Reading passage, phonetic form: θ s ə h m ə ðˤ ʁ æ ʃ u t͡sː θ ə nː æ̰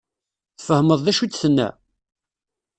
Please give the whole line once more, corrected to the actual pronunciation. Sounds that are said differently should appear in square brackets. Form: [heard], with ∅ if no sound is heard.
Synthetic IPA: θ [f] ə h m ə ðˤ [ð] æ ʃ u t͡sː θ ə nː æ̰